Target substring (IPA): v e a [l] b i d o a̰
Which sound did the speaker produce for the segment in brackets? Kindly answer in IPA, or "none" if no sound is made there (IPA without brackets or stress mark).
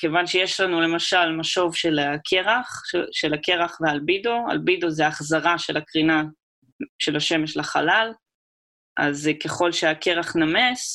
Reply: l